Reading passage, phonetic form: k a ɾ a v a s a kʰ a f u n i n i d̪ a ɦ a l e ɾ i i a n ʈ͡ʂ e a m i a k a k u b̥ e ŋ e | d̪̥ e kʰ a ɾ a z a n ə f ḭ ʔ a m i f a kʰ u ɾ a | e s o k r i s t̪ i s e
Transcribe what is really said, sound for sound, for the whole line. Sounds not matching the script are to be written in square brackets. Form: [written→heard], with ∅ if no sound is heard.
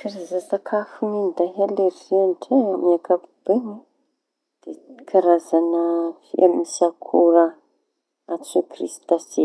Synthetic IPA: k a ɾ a [v→z] a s a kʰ a f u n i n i d̪ a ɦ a l e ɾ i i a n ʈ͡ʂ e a m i a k a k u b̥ e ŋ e | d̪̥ e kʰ a ɾ a z a n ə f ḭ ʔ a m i [f→s] a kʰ u ɾ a | [e→a] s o k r i s t̪ [i→a] s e